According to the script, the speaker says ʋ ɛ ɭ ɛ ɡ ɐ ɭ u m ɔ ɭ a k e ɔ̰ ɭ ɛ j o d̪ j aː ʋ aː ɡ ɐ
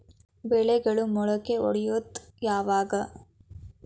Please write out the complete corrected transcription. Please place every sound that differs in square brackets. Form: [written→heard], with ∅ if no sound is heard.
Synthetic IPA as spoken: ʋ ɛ ɭ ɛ ɡ ɐ ɭ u m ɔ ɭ [a→ɐ] k e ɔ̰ [ɭ→ɽ] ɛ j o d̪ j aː ʋ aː ɡ ɐ

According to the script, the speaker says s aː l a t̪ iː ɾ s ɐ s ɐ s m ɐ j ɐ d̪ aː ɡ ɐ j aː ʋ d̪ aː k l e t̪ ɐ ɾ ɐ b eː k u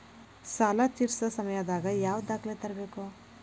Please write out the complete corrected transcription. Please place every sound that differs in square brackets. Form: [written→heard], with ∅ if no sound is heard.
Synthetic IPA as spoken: s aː l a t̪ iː ɾ s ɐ s ɐ [s→∅] m ɐ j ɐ d̪ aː ɡ ɐ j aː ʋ d̪ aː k l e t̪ ɐ ɾ ɐ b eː k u

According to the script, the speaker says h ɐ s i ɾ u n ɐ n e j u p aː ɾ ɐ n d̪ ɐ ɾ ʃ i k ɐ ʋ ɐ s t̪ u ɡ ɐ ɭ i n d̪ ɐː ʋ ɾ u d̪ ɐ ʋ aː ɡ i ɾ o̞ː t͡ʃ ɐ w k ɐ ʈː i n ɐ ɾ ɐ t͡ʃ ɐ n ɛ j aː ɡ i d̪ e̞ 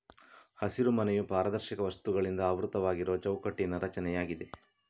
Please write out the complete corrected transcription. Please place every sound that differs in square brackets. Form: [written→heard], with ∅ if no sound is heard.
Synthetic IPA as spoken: h ɐ s i ɾ u [n→m] ɐ n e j u p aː ɾ ɐ [n→∅] d̪ ɐ ɾ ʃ i k ɐ ʋ ɐ s t̪ u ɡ ɐ ɭ i n d̪ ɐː ʋ ɾ u [d̪→t̪] ɐ ʋ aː ɡ i ɾ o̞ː t͡ʃ ɐ w k ɐ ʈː i n ɐ ɾ ɐ t͡ʃ ɐ n ɛ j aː ɡ i d̪ e̞

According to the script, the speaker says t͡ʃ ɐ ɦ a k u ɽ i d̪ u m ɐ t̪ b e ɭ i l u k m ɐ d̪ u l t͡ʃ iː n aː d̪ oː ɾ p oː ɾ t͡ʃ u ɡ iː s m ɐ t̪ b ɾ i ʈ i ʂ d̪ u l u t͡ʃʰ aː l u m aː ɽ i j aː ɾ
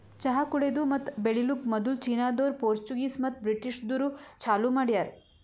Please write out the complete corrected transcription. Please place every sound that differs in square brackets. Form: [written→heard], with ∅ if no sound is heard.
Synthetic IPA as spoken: t͡ʃ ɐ ɦ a k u ɽ [i→e] d̪ u m ɐ t̪ b e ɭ i l u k m ɐ d̪ u l t͡ʃ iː n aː d̪ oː ɾ p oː ɾ t͡ʃ u ɡ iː s m ɐ t̪ b ɾ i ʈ i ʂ d̪ u [l→ɾ] u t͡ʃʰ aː l u m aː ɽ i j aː ɾ

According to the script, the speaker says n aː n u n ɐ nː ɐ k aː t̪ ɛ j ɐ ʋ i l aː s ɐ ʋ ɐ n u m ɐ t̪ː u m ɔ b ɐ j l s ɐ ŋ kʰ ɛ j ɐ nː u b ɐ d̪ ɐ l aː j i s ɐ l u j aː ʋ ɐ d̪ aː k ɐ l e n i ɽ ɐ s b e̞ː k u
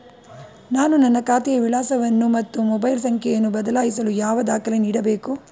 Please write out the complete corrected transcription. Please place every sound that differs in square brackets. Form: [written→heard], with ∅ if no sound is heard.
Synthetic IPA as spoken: n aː n u n ɐ nː ɐ k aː t̪ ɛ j ɐ ʋ i l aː s ɐ ʋ ɐ [n→nː] u m ɐ t̪ː u m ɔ b ɐ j l s ɐ ŋ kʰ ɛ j ɐ nː u b ɐ d̪ ɐ l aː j i s ɐ l u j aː ʋ ɐ d̪ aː k ɐ l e n [i→iː] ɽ ɐ [s→∅] b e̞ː k u

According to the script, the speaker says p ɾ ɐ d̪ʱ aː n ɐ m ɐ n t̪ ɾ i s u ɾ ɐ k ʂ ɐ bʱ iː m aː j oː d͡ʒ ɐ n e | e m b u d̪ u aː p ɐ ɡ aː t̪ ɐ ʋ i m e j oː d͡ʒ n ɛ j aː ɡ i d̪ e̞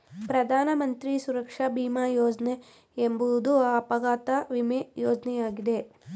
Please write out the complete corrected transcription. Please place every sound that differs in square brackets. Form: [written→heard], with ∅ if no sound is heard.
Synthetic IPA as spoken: p ɾ ɐ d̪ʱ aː n ɐ m ɐ n t̪ ɾ i s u ɾ ɐ k ʂ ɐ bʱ iː m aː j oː d͡ʒ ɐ n e | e m b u d̪ u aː p ɐ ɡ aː t̪ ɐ ʋ i m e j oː d͡ʒ n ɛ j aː ɡ i d̪ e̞

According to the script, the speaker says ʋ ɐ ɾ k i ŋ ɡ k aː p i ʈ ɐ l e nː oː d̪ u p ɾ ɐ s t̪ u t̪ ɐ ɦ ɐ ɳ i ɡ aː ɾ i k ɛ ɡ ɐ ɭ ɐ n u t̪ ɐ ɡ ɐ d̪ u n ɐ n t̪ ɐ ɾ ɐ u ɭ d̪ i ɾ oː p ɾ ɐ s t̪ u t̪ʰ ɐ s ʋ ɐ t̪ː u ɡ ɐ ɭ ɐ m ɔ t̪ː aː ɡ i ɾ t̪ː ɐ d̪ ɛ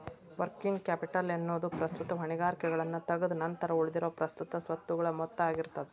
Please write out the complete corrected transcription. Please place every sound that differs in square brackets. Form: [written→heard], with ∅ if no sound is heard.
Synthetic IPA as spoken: ʋ ɐ ɾ k i ŋ ɡ k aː p i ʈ ɐ l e nː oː d̪ u p ɾ ɐ s t̪ u t̪ ɐ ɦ ɐ ɳ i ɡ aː ɾ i k ɛ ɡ ɐ ɭ ɐ [n→nː] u t̪ ɐ ɡ ɐ d̪ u n ɐ n t̪ ɐ ɾ ɐ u ɭ d̪ i ɾ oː p ɾ ɐ s t̪ u [t̪ʰ→t̪] ɐ s ʋ ɐ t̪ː u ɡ ɐ ɭ ɐ m ɔ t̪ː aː ɡ i ɾ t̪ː ɐ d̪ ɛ

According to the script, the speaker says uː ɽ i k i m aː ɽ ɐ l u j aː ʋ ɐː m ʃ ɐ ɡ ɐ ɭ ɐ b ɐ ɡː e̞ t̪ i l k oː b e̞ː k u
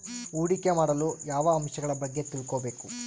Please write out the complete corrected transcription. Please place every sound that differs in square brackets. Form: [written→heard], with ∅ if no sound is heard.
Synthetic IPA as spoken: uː ɽ i k [i→e] m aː ɽ ɐ l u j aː ʋ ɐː m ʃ ɐ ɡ ɐ ɭ ɐ b ɐ ɡː e̞ t̪ i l k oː b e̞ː k u

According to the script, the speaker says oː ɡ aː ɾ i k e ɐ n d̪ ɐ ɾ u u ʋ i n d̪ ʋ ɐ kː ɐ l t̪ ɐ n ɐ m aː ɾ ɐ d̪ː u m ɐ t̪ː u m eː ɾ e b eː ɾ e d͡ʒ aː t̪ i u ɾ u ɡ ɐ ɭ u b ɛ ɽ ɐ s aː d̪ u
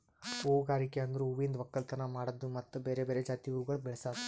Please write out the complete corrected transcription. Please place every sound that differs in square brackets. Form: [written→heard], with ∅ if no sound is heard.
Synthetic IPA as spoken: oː ɡ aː ɾ i k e ɐ n d̪ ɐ ɾ u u ʋ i n d̪ ʋ ɐ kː ɐ l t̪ ɐ n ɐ m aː [ɾ→ɽ] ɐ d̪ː u m ɐ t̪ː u [m→b] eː ɾ e b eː ɾ e d͡ʒ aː t̪ i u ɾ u ɡ ɐ ɭ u b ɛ [ɽ→ɭ] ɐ s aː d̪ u

